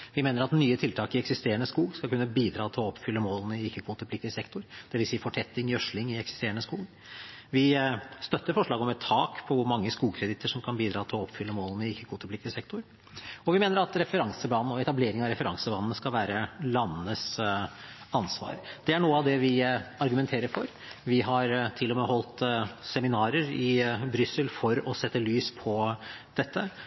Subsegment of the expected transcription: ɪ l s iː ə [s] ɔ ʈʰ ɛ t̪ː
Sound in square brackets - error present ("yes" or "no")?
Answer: yes